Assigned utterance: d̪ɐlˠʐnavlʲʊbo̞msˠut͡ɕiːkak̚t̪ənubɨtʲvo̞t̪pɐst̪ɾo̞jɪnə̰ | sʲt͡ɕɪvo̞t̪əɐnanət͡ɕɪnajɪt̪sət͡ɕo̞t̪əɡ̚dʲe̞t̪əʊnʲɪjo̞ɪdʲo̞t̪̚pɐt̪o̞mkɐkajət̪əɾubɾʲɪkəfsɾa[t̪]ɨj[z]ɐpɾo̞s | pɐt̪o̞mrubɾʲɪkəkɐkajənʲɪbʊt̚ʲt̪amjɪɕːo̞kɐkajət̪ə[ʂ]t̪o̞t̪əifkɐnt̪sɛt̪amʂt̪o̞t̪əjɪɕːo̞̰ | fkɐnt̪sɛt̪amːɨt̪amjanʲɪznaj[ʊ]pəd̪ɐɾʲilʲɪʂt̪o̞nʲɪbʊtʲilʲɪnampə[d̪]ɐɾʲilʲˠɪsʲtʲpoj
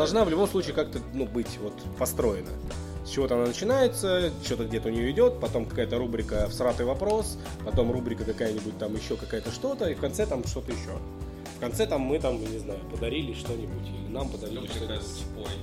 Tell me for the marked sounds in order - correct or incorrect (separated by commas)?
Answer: correct, incorrect, correct, correct, correct